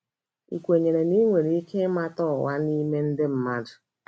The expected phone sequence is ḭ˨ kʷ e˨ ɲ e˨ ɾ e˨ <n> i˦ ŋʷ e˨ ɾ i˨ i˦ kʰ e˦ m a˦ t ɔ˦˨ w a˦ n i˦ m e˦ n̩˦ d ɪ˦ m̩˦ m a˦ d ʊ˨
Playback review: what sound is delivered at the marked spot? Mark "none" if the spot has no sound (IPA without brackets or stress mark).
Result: n